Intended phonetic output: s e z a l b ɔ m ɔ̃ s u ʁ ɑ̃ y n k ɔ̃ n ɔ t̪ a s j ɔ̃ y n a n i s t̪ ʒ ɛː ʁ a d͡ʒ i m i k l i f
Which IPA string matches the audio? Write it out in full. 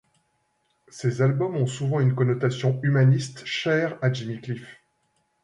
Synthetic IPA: s e z a l b ɔ m ɔ̃ s u v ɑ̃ y n k ɔ n ɔ t̪ a s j ɔ̃ y m a n i s t̪ ʃ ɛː ʁ a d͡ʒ i m i k l i f